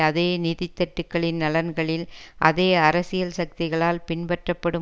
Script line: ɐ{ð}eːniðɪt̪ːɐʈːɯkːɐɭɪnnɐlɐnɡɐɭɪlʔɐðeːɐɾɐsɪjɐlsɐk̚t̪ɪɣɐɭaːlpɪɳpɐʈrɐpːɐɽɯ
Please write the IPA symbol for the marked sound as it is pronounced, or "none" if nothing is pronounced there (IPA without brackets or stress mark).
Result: ð